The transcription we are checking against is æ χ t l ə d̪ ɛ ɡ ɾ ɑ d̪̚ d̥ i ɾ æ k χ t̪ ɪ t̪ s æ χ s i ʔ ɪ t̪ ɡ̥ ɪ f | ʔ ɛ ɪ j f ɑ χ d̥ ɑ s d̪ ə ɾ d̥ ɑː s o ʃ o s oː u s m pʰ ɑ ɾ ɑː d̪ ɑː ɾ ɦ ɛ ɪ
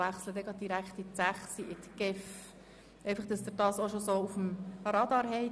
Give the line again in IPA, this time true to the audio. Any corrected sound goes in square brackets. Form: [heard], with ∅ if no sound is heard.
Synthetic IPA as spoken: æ χ [s] l ə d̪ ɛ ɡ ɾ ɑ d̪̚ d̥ i ɾ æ k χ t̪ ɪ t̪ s æ χ s i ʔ ɪ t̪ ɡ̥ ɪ f | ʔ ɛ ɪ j f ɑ χ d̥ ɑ s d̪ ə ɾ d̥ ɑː s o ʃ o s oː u [f] m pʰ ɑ ɾ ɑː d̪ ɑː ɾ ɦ ɛ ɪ